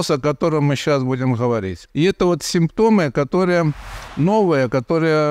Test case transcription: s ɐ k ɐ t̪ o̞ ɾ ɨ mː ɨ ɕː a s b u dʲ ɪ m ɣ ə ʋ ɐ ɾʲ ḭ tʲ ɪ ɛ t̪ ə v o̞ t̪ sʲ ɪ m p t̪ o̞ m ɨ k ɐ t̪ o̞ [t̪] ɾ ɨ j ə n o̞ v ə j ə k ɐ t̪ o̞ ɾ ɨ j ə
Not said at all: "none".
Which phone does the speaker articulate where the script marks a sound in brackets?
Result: none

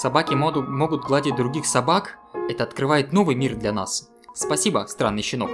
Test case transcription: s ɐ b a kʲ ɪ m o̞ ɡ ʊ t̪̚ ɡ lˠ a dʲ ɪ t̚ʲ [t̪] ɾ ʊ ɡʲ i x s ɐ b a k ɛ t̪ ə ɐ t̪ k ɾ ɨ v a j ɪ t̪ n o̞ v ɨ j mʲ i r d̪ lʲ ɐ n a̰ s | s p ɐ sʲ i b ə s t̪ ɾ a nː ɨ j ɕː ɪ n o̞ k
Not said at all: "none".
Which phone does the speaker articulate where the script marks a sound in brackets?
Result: d̪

